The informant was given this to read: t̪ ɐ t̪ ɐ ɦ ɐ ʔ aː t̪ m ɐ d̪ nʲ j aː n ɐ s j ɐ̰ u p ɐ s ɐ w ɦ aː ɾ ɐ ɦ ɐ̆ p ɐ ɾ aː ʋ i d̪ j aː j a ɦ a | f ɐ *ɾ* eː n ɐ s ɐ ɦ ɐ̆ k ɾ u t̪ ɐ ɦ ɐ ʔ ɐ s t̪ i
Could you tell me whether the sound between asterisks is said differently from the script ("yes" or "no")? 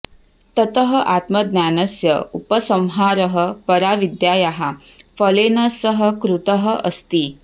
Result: yes